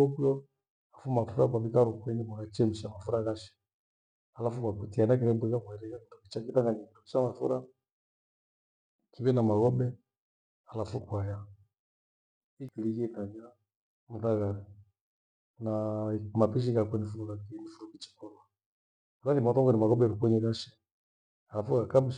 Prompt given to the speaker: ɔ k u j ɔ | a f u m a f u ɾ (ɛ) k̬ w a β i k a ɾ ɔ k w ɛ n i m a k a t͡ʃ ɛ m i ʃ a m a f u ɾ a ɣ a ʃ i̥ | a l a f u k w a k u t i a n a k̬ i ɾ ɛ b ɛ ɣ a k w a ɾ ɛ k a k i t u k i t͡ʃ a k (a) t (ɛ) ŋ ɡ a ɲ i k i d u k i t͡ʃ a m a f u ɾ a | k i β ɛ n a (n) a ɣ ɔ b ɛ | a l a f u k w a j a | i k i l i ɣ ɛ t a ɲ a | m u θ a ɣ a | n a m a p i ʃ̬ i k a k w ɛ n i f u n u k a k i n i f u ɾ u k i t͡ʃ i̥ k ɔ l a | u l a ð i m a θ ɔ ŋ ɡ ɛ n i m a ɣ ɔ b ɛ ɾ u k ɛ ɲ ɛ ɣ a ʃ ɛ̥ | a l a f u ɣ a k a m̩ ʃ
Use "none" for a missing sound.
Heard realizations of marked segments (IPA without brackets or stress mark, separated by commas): a, i, a, m